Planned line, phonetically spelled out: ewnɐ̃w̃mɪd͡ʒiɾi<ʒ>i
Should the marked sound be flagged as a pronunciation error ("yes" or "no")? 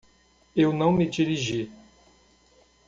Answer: no